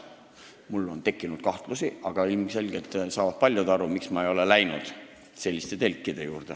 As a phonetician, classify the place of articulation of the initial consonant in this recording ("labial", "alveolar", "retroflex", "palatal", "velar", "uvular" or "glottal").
labial